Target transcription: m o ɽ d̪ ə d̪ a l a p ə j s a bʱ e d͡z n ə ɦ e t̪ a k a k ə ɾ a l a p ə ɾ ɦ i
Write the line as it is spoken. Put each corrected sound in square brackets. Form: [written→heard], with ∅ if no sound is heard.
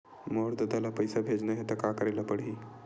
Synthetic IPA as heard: m o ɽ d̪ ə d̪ a l a p ə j s a bʱ e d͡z n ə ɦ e t̪ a k a k ə ɾ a l a p ə [ɾ→ɽ] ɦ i

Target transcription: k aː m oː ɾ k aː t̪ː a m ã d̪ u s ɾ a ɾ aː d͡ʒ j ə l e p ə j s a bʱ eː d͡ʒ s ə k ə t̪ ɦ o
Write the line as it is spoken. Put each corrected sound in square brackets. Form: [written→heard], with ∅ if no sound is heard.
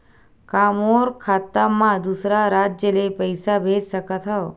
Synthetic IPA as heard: k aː m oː ɾ [k→kʰ] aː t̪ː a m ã d̪ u s ɾ a ɾ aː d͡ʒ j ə l e p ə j s a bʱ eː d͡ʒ s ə k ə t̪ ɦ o

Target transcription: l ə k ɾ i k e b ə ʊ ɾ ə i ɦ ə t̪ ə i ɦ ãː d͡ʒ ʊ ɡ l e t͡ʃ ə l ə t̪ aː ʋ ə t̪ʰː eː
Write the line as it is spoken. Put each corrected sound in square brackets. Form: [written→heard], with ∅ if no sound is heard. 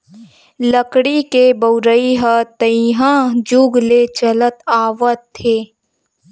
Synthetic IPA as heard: l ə k [ɾ→ɽ] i k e b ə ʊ ɾ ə i ɦ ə t̪ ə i ɦ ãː d͡ʒ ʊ ɡ l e t͡ʃ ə l ə t̪ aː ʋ ə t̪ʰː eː

